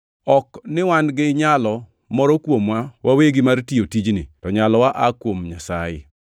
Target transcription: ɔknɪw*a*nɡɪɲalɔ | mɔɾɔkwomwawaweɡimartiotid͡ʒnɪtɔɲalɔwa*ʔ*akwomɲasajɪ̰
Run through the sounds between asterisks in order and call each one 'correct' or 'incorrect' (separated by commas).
correct, correct